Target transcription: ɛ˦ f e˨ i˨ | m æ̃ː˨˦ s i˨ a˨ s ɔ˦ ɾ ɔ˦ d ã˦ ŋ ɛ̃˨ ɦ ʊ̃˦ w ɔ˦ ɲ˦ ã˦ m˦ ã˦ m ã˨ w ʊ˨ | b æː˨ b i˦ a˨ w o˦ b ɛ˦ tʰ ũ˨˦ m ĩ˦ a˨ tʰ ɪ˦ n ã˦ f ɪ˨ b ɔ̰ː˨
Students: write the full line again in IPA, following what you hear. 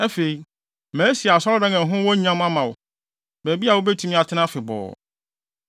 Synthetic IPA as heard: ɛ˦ f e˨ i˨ | m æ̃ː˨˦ s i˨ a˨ s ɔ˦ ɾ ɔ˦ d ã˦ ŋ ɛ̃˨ ɦ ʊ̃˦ w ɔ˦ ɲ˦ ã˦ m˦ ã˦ m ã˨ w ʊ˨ | b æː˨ b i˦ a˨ w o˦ b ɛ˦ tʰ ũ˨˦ m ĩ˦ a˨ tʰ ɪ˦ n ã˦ f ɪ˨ b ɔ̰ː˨